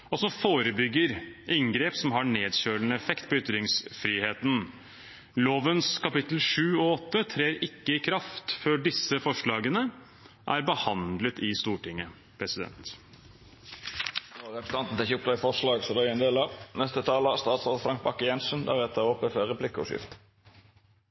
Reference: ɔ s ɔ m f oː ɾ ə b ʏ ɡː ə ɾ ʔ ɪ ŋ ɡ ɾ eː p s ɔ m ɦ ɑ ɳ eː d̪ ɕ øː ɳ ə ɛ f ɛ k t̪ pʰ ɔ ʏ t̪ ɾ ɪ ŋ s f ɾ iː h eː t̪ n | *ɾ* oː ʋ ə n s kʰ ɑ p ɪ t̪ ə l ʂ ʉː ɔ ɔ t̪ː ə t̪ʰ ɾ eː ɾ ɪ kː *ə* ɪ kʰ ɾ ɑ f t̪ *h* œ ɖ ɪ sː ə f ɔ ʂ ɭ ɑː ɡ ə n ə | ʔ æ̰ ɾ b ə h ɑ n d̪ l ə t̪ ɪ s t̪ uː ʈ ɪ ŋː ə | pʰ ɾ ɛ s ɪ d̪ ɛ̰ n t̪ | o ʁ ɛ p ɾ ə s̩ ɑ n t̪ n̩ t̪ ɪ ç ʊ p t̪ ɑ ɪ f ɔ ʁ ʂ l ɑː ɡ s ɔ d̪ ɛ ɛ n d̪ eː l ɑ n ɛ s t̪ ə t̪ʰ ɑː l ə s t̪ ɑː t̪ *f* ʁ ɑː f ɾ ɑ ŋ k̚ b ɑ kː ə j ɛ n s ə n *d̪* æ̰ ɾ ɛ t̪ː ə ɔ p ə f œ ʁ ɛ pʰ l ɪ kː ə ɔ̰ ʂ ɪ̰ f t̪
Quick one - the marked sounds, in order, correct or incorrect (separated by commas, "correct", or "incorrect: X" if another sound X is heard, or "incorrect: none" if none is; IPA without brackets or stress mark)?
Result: incorrect: l, correct, incorrect: f, incorrect: s, correct